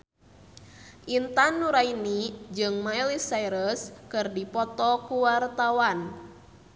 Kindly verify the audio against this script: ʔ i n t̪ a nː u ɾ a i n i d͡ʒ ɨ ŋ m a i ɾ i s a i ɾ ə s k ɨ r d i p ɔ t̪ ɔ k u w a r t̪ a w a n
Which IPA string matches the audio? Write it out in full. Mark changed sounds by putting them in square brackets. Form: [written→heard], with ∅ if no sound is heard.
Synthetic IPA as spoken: ʔ i n t̪ a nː u ɾ a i n i d͡ʒ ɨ ŋ m a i [ɾ→l] i s a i ɾ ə s k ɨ r d i p ɔ t̪ ɔ k u w a r t̪ a w a n